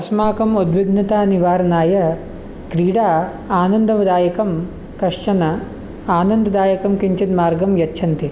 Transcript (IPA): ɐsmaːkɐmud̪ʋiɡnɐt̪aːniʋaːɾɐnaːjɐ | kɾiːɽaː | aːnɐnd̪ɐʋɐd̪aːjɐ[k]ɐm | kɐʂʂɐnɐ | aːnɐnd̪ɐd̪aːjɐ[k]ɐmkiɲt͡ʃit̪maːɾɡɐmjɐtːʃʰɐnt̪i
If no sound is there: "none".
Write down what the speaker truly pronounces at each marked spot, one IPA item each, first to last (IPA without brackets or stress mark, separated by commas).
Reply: k, k